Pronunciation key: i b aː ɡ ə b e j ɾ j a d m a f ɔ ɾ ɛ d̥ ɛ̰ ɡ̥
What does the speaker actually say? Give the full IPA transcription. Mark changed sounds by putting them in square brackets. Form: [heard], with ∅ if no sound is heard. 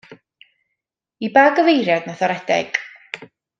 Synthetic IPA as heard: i b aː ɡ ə [v] e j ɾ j a d [n] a [θ] ɔ ɾ ɛ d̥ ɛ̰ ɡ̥